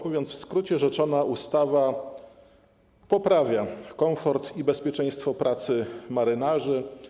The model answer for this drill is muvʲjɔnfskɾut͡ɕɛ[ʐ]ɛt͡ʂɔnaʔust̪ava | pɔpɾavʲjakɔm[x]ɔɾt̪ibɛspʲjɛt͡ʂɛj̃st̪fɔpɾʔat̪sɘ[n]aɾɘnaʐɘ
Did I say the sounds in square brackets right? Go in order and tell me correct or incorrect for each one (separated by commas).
correct, incorrect, incorrect